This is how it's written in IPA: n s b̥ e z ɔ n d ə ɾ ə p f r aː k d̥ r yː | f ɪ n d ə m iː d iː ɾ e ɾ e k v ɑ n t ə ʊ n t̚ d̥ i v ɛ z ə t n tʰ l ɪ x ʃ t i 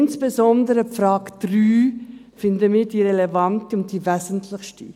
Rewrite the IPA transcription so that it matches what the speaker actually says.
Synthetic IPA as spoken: n s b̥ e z ɔ n d ə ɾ ə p f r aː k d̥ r yː | f ɪ n d ə m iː d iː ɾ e l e v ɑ n t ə ʊ n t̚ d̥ i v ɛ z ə n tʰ l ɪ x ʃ t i